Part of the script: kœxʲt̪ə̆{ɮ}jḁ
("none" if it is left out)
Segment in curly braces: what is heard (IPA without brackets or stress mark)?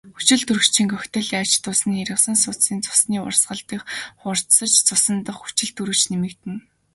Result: ɮ